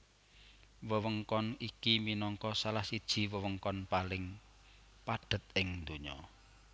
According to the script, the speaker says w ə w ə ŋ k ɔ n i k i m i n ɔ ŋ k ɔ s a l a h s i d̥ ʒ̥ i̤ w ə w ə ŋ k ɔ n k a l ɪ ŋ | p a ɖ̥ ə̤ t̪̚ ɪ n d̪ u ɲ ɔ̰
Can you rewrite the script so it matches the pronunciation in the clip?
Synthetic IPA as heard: w ə w ə ŋ k ɔ n i k i m i n ɔ ŋ k ɔ s a l a h s i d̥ ʒ̥ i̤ w ə w ə ŋ k ɔ n p a l ɪ ŋ | p a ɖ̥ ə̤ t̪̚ ɪ ŋ d̪ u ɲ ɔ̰